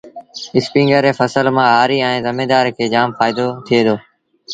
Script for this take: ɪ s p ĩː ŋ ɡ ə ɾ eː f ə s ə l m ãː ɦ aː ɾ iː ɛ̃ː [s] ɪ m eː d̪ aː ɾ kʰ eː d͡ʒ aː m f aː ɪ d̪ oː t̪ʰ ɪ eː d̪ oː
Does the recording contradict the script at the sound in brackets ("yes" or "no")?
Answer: yes